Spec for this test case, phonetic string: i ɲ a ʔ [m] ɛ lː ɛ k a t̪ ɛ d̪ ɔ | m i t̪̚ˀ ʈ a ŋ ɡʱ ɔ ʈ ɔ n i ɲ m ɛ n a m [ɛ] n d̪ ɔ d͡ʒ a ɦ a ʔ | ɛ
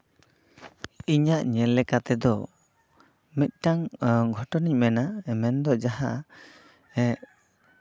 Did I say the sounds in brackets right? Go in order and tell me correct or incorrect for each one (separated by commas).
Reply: incorrect, correct